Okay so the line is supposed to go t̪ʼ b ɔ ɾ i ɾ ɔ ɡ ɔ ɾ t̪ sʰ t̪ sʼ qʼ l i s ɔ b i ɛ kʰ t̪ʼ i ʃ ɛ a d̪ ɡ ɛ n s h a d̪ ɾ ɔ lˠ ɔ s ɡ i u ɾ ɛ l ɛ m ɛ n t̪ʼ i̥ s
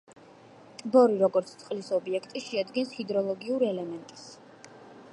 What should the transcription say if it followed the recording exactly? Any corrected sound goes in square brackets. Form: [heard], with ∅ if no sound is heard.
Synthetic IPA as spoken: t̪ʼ b ɔ ɾ i ɾ ɔ ɡ ɔ ɾ t̪ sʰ t̪ sʼ qʼ l i s ɔ b i ɛ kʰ t̪ʼ i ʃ ɛ a d̪ ɡ ɛ n s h [i] d̪ ɾ ɔ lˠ ɔ [∅] ɡ i u ɾ ɛ l ɛ m ɛ n t̪ʼ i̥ s